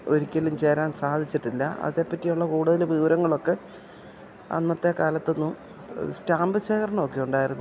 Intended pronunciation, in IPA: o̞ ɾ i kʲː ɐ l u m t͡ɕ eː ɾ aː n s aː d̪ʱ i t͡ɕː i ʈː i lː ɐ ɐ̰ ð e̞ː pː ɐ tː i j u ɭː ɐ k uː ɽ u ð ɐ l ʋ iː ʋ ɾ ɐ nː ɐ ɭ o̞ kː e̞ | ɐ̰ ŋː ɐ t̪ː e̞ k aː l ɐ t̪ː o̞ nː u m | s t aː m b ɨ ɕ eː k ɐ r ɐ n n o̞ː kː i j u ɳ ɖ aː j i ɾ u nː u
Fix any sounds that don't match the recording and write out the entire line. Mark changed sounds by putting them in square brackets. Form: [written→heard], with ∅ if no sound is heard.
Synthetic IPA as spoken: o̞ ɾ i kʲː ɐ l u m t͡ɕ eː ɾ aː n s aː d̪ʱ i t͡ɕː i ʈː i lː ɐ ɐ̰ ð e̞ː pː ɐ tː i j u ɭː ɐ k uː ɽ u ð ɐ l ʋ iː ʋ ɾ ɐ [nː→ŋː] ɐ ɭ o̞ kː e̞ | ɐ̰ [ŋː→nː] ɐ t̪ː e̞ k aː l ɐ t̪ː o̞ nː u m | s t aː m b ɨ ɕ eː k ɐ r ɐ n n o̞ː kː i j u ɳ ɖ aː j i ɾ u nː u